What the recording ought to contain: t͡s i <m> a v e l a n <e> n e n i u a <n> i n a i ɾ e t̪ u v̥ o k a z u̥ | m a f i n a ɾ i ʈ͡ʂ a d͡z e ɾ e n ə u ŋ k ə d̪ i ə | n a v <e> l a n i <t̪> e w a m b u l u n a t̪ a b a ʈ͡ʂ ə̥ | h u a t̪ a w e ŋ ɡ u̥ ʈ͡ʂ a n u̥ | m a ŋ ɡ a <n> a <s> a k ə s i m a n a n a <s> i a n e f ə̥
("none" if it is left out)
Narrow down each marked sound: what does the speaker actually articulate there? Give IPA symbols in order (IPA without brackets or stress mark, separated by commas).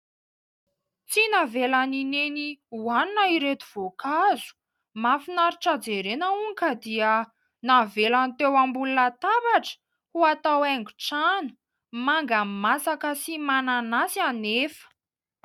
n, i, n, e, t̪, m, s, s